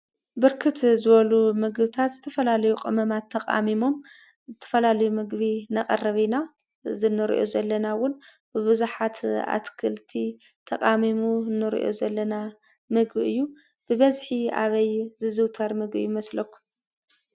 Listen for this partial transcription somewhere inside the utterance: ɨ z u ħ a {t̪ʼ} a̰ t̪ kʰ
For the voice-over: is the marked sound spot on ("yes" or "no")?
no